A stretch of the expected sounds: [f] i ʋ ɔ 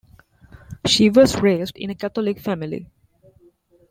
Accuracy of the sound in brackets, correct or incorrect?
incorrect: ʃ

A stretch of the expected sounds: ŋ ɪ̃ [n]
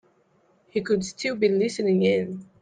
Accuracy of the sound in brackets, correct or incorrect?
correct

